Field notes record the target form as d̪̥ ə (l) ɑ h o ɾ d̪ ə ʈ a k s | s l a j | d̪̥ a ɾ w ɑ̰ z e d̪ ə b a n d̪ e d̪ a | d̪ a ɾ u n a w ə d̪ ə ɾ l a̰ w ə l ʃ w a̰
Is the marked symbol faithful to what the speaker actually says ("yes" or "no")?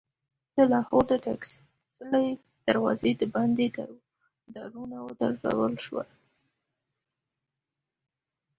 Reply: yes